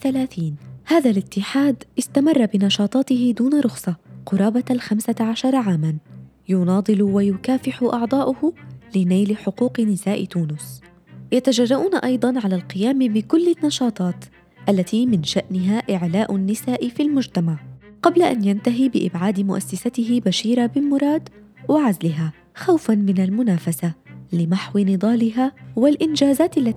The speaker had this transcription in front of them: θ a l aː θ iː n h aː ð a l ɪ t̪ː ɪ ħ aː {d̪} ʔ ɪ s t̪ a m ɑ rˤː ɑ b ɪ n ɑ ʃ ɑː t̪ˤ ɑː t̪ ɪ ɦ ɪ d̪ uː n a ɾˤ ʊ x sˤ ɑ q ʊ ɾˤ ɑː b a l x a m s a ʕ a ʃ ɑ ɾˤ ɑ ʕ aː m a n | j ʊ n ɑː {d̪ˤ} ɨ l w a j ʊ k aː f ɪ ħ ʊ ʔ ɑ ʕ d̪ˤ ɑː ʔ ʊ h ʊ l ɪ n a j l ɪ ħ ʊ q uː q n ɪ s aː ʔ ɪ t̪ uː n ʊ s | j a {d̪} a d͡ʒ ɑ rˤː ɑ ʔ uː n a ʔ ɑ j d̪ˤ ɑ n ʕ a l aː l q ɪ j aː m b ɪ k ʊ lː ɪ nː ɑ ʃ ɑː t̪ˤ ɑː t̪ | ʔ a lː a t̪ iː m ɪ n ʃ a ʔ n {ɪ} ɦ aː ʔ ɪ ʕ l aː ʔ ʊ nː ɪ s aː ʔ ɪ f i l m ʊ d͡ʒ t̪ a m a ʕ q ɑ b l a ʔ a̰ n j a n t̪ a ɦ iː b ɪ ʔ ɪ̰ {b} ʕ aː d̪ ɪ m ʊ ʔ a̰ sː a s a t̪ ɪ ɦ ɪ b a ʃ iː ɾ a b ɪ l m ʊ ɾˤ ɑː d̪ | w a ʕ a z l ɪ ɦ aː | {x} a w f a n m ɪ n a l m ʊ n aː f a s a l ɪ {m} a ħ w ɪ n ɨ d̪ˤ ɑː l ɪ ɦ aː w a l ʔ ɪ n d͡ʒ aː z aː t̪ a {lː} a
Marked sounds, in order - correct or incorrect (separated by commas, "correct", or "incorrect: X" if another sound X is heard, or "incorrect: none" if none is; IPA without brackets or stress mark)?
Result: correct, correct, incorrect: t̪, correct, correct, correct, correct, correct